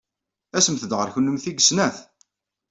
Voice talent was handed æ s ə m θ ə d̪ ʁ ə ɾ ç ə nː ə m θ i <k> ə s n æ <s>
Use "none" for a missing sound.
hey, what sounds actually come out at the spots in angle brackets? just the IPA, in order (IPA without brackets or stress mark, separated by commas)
ɡ, θ